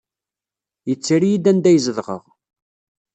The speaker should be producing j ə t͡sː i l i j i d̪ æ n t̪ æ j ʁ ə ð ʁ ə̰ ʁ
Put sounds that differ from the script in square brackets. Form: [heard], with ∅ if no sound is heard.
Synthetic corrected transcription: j ə t͡sː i [ɾ] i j i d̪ æ n [d̪] æ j [z] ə ð ʁ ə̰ ʁ